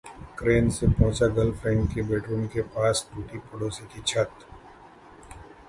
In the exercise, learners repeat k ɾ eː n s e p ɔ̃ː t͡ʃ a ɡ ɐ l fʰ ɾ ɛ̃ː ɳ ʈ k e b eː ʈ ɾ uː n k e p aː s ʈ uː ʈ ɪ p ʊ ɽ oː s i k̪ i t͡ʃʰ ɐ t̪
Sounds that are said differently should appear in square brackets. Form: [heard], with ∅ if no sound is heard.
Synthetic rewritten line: k ɾ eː n s e p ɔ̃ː t͡ʃ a ɡ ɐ l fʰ ɾ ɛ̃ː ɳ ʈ k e b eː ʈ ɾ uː n k e p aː s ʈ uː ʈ [i] p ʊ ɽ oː s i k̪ i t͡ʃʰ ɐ t̪

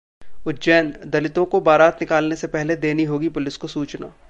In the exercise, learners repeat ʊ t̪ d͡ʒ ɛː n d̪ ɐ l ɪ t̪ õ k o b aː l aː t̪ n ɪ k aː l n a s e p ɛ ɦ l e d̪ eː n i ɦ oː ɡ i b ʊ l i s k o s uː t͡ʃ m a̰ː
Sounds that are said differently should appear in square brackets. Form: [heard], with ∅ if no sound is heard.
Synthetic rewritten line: ʊ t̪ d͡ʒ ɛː n d̪ ɐ l ɪ t̪ õ k o b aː [ɾ] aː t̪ n ɪ k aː l n [e] s e p ɛ ɦ l e d̪ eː n i ɦ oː ɡ i [p] ʊ l [ɪ] s k o s uː t͡ʃ [n] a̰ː

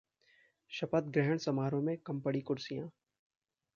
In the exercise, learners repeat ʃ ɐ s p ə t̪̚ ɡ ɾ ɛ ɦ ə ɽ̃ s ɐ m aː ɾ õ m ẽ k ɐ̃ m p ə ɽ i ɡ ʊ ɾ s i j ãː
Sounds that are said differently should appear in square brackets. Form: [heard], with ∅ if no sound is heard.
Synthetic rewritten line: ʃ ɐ [∅] p ə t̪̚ ɡ ɾ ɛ ɦ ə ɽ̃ s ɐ m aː ɾ õ m ẽ k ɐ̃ m p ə ɽ i [k] ʊ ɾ s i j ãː

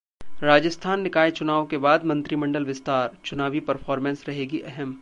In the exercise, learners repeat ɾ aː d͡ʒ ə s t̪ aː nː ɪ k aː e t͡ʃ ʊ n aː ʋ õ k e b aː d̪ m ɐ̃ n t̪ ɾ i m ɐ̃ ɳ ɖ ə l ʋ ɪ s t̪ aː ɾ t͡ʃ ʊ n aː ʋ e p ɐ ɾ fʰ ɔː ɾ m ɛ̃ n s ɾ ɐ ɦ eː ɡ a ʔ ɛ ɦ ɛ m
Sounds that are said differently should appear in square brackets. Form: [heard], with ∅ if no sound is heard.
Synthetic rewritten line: ɾ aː d͡ʒ ə s [t̪ʰ] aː nː ɪ k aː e t͡ʃ ʊ n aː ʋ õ k e b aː d̪ m ɐ̃ n t̪ ɾ i m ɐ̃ ɳ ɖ ə l ʋ ɪ s t̪ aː ɾ t͡ʃ ʊ n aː ʋ [i] p ɐ ɾ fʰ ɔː ɾ m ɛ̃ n s ɾ ɐ ɦ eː ɡ [i] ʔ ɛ ɦ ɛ m

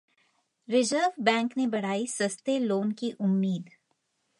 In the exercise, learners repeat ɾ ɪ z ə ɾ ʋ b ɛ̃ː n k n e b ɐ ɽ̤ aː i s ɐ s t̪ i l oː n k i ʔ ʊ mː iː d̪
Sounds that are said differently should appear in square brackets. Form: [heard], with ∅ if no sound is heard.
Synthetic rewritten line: ɾ ɪ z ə ɾ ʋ b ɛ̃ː [ŋ] k n e b ɐ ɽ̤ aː i s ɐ s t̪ [e] l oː n k i ʔ ʊ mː iː d̪

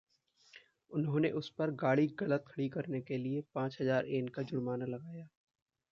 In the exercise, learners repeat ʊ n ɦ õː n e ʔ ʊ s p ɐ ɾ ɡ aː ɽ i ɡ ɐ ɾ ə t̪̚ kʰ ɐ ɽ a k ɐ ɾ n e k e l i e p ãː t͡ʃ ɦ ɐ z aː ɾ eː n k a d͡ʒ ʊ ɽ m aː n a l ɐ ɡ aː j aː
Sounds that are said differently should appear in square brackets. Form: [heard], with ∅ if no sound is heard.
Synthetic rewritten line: ʊ n ɦ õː n e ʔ ʊ s p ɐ ɾ ɡ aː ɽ i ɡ ɐ [l] ə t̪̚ kʰ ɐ ɽ [i] k ɐ ɾ n e k e l i e p ãː t͡ʃ ɦ ɐ z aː ɾ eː n k a d͡ʒ ʊ ɽ m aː n a l ɐ ɡ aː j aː

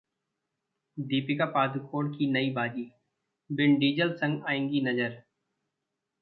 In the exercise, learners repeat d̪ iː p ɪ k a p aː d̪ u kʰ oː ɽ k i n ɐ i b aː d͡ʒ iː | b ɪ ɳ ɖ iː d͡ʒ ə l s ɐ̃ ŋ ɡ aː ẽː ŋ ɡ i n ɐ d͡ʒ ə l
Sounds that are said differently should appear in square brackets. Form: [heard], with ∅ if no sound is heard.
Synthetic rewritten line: d̪ iː p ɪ k a p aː d̪ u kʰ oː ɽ k i n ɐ i b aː d͡ʒ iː | b ɪ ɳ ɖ iː d͡ʒ ə l s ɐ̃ ŋ ɡ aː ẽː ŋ ɡ i n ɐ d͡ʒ ə [ɾ]

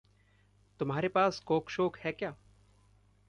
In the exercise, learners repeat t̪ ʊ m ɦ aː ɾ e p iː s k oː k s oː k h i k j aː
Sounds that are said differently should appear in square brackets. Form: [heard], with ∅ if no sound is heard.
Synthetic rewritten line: t̪ ʊ m ɦ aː ɾ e p [aː] s k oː k [ʃ] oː k h [ɛ] k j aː

